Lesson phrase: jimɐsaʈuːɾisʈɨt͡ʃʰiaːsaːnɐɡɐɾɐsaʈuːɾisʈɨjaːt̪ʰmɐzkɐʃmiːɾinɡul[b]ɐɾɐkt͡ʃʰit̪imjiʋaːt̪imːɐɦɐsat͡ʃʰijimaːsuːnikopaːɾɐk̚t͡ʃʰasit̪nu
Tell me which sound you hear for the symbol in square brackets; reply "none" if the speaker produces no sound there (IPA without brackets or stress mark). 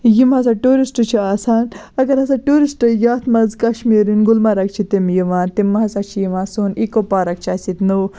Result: m